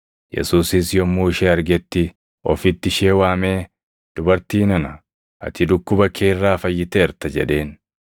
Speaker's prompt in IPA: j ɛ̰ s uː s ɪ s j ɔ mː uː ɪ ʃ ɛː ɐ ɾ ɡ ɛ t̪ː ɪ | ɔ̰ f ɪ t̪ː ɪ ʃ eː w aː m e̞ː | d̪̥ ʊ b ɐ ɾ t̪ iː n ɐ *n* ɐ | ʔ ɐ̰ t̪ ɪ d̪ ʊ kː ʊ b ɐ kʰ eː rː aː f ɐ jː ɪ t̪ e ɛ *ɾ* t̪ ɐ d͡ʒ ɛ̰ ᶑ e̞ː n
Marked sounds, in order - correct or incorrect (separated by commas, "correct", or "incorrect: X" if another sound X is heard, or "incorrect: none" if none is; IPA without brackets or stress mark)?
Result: correct, correct